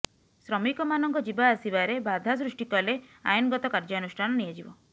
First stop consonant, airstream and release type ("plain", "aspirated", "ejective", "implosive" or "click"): plain